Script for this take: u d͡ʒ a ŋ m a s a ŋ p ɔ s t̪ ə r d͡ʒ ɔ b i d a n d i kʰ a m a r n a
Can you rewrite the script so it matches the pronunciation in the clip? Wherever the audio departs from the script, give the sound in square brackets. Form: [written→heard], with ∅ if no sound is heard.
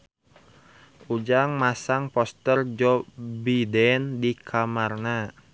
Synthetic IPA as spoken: u d͡ʒ a ŋ m a s a ŋ p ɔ s t̪ ə r d͡ʒ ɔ b i d [a→ɛ] n d i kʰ a m a r n a